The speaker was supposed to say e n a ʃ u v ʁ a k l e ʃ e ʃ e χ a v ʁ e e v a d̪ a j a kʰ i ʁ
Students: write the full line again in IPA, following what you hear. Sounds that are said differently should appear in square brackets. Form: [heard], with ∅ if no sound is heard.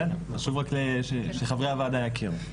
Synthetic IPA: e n a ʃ u v ʁ a k l e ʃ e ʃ e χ a v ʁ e [a] v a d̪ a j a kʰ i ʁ